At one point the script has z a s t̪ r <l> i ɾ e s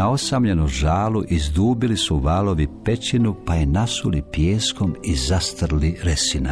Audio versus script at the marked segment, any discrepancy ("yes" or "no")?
no